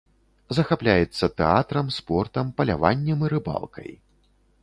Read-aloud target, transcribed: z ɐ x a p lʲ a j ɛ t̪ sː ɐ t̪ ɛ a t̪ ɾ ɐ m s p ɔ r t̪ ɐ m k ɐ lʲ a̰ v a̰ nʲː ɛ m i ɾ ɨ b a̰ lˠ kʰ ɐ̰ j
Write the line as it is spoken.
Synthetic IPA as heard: z ɐ x a p lʲ a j ɛ t̪ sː ɐ t̪ ɛ a t̪ ɾ ɐ m s p ɔ r t̪ ɐ m p ɐ lʲ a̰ v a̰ nʲː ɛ m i ɾ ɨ b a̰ lˠ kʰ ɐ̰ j